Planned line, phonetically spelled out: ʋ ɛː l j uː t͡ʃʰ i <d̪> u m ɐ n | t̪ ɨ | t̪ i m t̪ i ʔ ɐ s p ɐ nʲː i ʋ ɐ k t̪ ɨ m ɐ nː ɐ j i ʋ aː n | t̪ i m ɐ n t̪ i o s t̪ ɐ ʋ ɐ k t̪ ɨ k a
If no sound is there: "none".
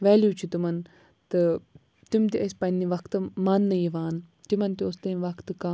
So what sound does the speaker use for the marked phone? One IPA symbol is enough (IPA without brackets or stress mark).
t̪